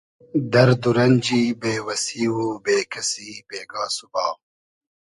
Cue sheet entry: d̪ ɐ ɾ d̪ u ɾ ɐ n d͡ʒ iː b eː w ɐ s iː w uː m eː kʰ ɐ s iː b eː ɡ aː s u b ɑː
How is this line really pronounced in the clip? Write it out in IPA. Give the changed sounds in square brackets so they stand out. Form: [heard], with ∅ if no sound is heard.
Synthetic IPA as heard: d̪ ɐ ɾ d̪ u ɾ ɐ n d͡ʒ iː b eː w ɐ s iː w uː [b] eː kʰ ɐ s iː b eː ɡ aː s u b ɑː